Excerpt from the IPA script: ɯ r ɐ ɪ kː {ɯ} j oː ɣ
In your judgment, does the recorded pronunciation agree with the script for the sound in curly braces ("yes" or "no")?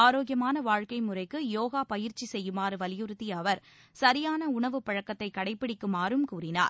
yes